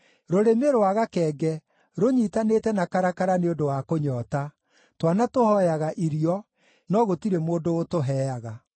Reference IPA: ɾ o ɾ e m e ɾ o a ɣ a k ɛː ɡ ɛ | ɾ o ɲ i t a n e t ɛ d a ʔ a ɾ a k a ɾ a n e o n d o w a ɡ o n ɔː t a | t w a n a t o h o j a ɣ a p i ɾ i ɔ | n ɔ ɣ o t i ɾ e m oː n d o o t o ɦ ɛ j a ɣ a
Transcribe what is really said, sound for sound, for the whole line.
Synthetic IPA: ɾ o ɾ e m e ɾ o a ɣ a k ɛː ɡ ɛ | ɾ o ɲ i t a n e t ɛ n a k a ɾ a k a ɾ a n e o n d o w a k o ɲ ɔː t a | t w a n a t o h ɔ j a ɣ a ʔ i ɾ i ɔ | n ɔ ɣ o t i ɾ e m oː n d o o t o ɦ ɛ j a ɣ a